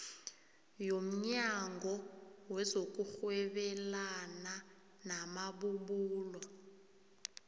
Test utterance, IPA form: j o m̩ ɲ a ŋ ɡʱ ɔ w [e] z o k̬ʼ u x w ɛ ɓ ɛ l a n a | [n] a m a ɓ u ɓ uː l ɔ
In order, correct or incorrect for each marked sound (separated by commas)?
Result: incorrect, correct